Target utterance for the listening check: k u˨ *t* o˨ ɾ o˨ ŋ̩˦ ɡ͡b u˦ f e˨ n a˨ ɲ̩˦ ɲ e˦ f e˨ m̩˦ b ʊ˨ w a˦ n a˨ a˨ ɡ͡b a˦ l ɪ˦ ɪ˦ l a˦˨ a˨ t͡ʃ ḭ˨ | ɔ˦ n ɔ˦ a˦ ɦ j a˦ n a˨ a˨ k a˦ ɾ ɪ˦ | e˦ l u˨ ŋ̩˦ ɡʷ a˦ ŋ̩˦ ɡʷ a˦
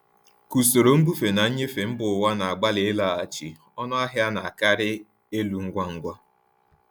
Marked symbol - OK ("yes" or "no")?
no